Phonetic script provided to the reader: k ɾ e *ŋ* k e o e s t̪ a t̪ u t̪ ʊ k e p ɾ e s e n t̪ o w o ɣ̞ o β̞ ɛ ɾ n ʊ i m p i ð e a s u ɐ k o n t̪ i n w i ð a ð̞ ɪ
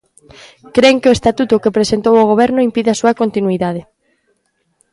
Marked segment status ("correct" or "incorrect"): correct